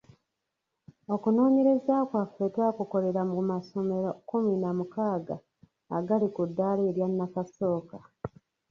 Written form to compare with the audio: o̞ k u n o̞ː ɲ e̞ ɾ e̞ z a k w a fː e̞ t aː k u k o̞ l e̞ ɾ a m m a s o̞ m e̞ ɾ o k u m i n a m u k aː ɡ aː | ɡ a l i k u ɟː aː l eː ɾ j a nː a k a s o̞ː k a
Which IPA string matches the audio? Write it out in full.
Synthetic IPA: o̞ k u n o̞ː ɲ e̞ ɾ e̞ z a k w a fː e̞ t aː k u k o̞ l e̞ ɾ a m m a s o̞ m e̞ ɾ o k u m i n a m u k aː ɡ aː | ɡ a l i k u dː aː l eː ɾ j a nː a k a s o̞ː k a